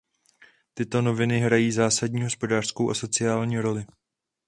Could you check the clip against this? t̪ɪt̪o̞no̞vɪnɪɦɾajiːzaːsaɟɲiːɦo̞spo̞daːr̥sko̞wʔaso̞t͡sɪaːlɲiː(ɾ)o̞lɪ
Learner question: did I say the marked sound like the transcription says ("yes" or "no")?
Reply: yes